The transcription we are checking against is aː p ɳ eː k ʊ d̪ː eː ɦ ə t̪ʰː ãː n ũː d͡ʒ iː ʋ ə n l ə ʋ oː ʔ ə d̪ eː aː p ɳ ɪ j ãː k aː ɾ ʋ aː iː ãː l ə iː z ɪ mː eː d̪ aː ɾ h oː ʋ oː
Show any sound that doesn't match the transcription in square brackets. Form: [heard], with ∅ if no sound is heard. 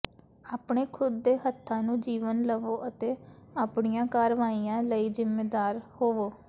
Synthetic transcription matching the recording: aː p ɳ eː [kʰ] ʊ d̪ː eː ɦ ə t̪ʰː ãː n ũː d͡ʒ iː ʋ ə n l ə ʋ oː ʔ ə [t̪] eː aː p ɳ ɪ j ãː k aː ɾ ʋ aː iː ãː l ə iː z ɪ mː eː d̪ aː ɾ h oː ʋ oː